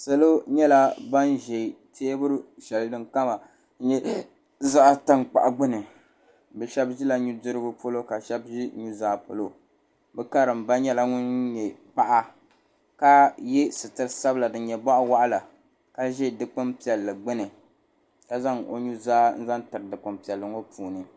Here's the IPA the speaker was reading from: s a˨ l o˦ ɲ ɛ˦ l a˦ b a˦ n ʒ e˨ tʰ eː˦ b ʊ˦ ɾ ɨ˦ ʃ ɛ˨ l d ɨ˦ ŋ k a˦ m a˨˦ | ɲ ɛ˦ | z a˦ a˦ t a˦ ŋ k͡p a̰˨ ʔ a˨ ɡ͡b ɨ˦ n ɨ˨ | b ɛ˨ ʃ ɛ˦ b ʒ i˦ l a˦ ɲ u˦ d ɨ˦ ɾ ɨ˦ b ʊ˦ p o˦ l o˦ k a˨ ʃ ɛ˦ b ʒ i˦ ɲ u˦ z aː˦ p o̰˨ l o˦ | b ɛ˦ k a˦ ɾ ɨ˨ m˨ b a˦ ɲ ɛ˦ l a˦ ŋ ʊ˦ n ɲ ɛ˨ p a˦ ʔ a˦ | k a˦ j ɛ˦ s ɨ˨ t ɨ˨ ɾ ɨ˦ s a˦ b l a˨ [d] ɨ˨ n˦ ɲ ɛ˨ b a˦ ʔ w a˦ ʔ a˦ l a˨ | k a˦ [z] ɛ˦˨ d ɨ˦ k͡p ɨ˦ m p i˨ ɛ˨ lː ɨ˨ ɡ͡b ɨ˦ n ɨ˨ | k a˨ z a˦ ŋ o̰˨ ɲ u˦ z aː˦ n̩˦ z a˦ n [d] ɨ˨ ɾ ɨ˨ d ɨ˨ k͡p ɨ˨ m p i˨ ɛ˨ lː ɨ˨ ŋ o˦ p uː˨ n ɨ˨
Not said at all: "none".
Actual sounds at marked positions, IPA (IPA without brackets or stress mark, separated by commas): d, ʒ, t